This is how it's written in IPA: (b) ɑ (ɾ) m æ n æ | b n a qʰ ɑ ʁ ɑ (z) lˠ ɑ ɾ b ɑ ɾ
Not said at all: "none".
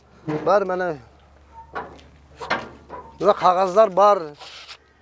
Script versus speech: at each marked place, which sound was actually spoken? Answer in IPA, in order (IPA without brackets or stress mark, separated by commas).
b, ɾ, z